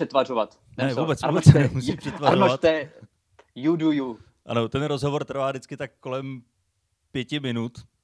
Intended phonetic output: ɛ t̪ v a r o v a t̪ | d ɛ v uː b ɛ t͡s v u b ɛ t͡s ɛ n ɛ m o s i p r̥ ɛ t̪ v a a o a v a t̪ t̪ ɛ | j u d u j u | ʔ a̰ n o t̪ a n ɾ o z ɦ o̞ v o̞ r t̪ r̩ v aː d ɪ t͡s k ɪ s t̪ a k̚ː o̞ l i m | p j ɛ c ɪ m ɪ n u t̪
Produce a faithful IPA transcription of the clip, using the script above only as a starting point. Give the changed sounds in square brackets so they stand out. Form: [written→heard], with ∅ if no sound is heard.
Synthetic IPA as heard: ɛ t̪ v a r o v a t̪ | [d→n] ɛ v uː b ɛ t͡s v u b ɛ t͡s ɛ n ɛ m [o→u] s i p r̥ ɛ t̪ v a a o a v a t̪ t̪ ɛ | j u d u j u | ʔ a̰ n o t̪ [a→ɛ] n ɾ o z ɦ o̞ v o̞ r t̪ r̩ v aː d ɪ t͡s k ɪ [s→∅] t̪ a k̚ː o̞ l [i→ɛ] m | p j ɛ c ɪ m ɪ n u t̪